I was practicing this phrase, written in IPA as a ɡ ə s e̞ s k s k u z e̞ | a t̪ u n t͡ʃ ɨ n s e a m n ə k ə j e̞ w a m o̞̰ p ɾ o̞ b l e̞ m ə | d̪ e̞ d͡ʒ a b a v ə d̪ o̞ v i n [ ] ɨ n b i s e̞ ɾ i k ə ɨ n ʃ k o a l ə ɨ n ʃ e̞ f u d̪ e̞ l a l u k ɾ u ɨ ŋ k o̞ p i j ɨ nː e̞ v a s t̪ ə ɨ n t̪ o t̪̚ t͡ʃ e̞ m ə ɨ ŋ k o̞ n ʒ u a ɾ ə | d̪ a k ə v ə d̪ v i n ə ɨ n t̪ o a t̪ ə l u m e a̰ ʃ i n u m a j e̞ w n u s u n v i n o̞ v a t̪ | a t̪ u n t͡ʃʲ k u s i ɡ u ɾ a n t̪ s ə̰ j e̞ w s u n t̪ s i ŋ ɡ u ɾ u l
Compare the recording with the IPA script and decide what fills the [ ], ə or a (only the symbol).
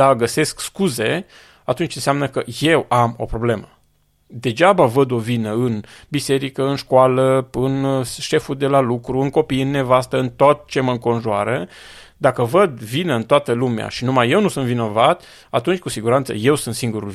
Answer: ə